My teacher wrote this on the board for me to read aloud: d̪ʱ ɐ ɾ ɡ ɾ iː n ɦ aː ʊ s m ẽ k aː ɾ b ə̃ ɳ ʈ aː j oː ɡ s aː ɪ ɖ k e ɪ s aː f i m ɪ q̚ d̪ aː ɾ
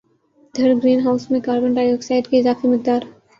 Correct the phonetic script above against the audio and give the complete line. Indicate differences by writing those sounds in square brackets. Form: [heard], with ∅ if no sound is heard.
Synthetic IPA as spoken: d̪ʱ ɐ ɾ ɡ ɾ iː n ɦ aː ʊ s m ẽ k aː ɾ b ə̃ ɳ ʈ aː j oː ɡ s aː ɪ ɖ k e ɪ [z] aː f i m ɪ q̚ d̪ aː ɾ